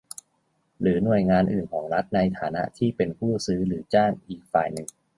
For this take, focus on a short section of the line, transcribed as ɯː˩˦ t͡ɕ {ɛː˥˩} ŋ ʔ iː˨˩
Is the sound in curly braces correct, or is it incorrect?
incorrect